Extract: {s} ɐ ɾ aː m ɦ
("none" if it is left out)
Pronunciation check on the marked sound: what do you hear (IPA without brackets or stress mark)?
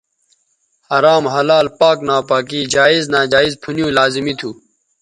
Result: h